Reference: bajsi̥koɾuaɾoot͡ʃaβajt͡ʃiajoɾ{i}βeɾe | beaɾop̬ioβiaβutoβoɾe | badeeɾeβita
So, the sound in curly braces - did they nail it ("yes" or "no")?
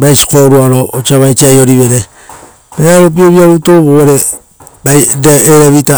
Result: yes